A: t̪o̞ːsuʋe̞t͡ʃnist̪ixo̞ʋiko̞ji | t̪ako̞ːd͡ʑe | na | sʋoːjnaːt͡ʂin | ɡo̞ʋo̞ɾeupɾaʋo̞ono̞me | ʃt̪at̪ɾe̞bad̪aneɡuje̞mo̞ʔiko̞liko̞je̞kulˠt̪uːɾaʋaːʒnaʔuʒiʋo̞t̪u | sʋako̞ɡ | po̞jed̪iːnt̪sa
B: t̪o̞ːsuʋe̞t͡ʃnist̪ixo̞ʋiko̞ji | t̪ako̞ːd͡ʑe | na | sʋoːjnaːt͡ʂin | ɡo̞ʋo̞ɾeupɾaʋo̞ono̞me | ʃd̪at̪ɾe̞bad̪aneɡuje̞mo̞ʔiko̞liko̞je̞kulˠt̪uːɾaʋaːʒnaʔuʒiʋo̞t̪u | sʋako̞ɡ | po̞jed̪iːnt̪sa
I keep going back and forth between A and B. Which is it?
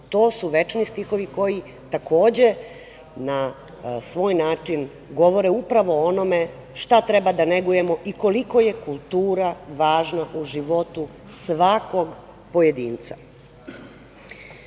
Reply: A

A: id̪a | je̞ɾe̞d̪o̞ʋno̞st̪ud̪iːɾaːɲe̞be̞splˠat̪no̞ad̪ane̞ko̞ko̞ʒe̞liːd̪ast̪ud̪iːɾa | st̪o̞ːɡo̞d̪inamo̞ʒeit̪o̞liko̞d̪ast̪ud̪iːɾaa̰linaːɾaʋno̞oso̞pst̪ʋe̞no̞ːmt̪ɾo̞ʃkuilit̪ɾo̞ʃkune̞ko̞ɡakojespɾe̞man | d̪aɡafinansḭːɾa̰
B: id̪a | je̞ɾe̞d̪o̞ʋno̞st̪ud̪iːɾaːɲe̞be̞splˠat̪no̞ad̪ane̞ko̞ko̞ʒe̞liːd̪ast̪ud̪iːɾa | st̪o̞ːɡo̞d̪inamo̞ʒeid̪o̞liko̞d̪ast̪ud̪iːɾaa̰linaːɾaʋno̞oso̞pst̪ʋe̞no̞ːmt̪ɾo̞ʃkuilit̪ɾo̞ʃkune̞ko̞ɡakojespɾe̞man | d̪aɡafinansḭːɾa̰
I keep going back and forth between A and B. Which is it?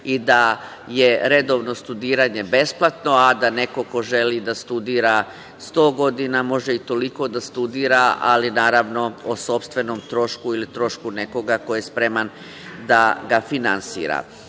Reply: A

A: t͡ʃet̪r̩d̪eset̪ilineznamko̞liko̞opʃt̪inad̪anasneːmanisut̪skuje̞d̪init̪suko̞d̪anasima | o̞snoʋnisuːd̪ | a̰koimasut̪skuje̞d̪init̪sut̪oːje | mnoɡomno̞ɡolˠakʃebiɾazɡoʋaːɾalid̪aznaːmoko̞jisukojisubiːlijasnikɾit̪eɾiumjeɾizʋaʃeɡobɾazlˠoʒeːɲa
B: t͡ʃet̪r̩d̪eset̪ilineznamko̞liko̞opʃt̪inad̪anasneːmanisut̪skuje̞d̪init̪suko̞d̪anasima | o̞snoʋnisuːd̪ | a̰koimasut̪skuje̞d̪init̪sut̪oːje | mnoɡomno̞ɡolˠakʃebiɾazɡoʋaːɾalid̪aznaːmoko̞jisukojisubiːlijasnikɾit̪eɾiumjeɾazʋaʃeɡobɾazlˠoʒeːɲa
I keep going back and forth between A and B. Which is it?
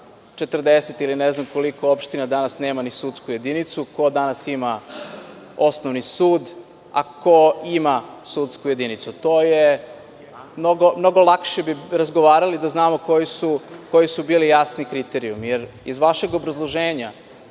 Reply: A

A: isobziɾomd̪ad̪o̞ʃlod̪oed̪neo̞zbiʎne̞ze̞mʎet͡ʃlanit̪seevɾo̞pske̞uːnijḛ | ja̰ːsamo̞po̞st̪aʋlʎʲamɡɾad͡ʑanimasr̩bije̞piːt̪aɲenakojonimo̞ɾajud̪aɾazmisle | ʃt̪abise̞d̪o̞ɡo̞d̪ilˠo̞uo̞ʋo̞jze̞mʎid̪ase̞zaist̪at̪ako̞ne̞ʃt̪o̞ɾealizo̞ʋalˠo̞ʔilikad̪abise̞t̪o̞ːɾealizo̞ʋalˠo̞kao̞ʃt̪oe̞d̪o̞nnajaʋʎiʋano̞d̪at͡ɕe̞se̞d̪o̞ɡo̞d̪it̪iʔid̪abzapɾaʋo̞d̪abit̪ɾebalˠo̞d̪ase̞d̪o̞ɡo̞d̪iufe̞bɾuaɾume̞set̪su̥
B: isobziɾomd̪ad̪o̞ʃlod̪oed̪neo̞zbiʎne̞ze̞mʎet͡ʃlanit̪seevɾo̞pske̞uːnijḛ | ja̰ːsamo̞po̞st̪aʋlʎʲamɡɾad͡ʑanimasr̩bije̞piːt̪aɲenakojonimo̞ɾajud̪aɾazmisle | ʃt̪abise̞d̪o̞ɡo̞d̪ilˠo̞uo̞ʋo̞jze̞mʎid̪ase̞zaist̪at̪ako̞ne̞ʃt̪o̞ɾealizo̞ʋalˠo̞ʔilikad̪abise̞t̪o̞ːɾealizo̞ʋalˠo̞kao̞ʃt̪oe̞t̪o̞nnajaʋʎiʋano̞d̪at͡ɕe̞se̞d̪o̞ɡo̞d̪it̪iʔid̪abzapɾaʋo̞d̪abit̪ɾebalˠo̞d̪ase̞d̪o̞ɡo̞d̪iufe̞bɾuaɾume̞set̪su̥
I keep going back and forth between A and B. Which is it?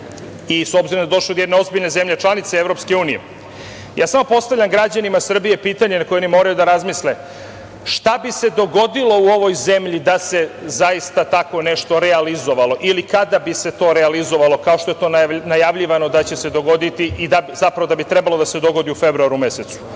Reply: B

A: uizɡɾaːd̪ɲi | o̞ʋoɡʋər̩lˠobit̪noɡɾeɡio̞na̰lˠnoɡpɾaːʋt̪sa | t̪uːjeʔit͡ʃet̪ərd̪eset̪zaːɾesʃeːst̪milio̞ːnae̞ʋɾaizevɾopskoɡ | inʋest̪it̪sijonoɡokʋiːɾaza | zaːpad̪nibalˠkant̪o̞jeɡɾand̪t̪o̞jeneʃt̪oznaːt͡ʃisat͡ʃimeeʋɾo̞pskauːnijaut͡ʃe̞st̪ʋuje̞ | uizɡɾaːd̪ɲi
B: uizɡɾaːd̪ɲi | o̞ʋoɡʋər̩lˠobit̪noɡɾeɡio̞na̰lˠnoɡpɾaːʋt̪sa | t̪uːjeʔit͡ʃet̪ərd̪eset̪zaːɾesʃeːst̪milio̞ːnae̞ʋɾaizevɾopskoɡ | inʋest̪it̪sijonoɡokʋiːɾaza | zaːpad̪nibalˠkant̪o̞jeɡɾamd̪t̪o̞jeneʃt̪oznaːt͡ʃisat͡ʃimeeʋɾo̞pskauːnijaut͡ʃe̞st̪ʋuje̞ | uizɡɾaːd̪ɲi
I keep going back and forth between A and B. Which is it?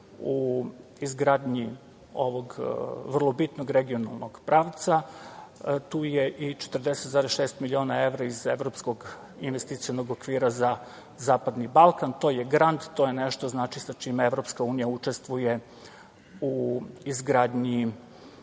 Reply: A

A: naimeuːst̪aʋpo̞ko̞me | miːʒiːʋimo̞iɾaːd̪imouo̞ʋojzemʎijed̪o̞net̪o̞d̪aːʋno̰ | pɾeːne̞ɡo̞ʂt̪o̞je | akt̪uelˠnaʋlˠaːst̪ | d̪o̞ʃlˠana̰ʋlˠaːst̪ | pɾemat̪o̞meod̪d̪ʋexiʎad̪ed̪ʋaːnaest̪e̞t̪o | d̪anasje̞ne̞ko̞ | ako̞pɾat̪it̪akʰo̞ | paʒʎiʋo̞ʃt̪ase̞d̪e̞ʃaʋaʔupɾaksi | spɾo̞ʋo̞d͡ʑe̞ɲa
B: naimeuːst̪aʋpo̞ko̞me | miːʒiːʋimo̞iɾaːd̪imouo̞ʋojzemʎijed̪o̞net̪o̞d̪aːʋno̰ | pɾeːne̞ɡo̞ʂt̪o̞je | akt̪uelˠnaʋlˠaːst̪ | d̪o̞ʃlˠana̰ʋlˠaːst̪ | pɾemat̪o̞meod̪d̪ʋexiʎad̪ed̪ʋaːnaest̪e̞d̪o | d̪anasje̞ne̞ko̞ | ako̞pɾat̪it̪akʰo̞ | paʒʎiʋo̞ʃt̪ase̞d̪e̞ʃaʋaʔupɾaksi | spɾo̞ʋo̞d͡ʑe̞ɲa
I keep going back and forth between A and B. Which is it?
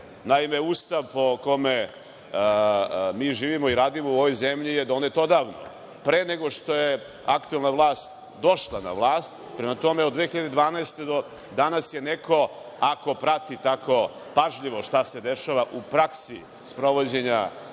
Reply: B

